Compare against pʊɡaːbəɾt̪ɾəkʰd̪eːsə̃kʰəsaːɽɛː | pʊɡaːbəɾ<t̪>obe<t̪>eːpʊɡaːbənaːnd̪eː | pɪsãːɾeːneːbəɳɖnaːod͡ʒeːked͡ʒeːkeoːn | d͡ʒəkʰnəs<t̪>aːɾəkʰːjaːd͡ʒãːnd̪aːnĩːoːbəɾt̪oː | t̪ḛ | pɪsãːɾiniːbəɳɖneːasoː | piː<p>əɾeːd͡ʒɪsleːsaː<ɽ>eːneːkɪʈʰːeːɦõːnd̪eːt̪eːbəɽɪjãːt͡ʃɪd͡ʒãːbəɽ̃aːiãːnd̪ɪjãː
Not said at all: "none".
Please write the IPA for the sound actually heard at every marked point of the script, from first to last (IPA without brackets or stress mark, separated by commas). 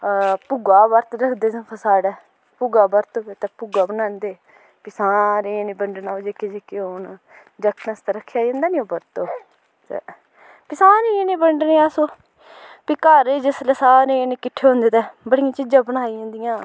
t̪, t̪, t̪, k, ɾ